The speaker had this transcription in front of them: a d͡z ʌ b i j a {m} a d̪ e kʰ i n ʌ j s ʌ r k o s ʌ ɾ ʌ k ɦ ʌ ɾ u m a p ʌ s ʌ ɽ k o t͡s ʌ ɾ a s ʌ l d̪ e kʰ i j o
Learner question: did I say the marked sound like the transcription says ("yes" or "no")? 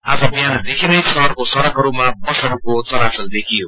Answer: no